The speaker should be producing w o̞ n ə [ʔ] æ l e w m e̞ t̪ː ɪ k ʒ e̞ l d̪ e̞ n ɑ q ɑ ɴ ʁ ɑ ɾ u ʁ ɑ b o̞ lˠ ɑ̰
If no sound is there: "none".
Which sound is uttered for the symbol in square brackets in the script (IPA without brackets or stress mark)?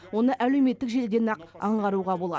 ʔ